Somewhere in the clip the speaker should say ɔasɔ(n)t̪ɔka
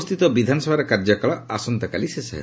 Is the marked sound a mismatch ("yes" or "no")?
no